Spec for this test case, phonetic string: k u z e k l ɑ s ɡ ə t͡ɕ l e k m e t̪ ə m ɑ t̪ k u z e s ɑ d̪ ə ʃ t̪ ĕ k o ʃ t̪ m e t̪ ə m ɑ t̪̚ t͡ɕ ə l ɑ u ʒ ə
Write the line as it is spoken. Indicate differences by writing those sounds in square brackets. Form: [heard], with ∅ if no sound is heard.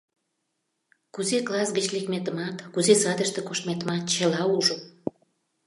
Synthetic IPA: k u z e k l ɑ s ɡ ə t͡ɕ l e k m e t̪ ə m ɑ t̪ k u z e s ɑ d̪ ə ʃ t̪ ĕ k o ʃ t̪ m e t̪ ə m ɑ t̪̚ t͡ɕ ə l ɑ u ʒ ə